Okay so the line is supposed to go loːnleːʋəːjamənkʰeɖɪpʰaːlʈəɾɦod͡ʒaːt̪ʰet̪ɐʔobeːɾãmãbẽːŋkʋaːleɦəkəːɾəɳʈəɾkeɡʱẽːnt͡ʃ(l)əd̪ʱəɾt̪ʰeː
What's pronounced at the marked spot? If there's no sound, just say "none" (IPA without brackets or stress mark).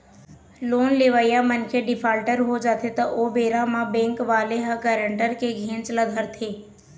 l